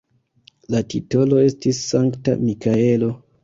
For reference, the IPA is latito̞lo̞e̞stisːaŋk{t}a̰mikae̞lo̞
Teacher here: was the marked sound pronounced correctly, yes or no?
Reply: yes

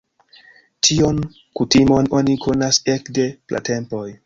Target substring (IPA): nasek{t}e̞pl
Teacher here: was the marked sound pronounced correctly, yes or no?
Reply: no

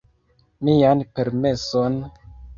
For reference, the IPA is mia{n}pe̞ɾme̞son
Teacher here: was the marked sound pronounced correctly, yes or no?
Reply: yes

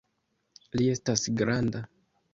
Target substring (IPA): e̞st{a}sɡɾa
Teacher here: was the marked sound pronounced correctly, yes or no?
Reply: yes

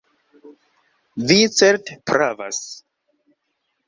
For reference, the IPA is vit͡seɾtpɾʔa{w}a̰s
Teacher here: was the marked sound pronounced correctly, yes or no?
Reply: no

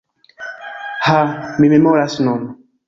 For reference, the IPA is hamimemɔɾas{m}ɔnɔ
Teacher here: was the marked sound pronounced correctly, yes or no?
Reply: no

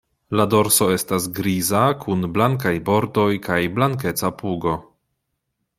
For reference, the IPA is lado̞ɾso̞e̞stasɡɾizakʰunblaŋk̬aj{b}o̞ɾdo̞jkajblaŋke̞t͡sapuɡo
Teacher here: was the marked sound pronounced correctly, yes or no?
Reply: yes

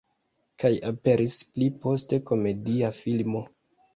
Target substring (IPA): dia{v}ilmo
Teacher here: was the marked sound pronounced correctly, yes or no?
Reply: no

